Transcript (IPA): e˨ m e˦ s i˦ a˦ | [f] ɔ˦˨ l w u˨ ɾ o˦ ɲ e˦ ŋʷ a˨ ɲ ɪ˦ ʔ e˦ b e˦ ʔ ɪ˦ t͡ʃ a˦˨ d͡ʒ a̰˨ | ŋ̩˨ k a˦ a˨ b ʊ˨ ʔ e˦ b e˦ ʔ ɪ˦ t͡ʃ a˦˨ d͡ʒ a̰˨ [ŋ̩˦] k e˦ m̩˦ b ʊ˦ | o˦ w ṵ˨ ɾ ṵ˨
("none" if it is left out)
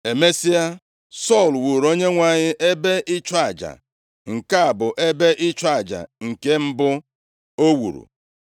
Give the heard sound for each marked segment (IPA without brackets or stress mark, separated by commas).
s, ŋ̩˨